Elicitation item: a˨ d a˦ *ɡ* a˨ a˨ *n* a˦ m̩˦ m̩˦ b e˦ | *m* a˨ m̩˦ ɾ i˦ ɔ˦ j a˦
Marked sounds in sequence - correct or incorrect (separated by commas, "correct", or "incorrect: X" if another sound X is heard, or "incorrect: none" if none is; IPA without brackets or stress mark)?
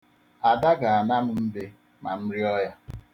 correct, correct, correct